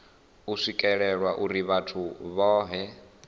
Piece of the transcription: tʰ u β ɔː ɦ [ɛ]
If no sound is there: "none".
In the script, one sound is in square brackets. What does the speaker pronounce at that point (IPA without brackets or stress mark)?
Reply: ɛ